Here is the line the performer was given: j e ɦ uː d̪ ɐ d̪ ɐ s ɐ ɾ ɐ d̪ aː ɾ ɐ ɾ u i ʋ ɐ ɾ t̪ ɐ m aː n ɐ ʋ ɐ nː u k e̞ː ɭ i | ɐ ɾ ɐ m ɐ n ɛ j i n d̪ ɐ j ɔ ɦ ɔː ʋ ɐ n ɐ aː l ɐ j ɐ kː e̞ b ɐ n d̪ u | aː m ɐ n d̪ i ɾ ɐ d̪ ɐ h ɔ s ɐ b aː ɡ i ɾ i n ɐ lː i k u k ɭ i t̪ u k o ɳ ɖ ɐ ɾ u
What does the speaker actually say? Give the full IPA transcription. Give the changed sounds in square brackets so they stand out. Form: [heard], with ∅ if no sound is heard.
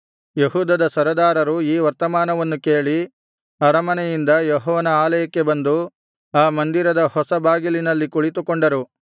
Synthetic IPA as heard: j e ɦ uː d̪ ɐ d̪ ɐ s ɐ ɾ ɐ d̪ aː ɾ ɐ ɾ u [iː] ʋ ɐ ɾ t̪ ɐ m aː n ɐ ʋ ɐ nː u k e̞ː ɭ i | ɐ ɾ ɐ m ɐ n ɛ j i n d̪ ɐ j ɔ ɦ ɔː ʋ ɐ n ɐ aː l ɐ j ɐ kː e̞ b ɐ n d̪ u | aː m ɐ n d̪ i ɾ ɐ d̪ ɐ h ɔ s ɐ b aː ɡ i [l] i n ɐ lː i k u [∅] ɭ i t̪ u k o ɳ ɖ ɐ ɾ u